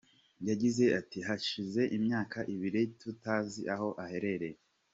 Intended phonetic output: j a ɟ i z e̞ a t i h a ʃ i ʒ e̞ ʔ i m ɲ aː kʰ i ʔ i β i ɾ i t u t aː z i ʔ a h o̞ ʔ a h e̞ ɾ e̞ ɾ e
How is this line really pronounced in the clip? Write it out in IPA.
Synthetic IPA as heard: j a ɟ i z e̞ a t i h a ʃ i z e̞ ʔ i m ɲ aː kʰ a ʔ i β i ɾ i t u t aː z i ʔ a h o̞ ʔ a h e̞ ɾ e̞ ɾ e